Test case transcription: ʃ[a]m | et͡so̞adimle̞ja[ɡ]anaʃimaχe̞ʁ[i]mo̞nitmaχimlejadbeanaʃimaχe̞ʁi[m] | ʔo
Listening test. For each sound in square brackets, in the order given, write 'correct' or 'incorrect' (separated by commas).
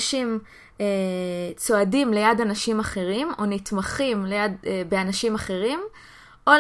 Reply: incorrect, incorrect, correct, correct